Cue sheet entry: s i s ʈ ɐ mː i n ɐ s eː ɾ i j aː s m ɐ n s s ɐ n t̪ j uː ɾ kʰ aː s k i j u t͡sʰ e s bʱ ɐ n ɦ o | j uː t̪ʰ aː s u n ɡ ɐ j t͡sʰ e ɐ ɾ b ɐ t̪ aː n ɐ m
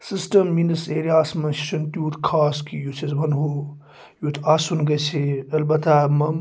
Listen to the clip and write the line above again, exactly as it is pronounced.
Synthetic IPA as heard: s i s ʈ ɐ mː i n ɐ s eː ɾ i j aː s m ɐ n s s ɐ n t̪ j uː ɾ kʰ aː s k i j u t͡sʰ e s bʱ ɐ n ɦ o | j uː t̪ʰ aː s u n ɡ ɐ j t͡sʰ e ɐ l b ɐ t̪ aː m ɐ m